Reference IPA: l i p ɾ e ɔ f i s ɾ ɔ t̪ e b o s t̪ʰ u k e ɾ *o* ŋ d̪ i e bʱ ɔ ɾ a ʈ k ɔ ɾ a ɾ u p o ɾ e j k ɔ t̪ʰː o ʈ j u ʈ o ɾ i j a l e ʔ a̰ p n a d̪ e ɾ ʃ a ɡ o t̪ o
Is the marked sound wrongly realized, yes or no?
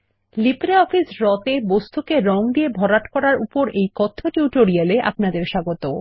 yes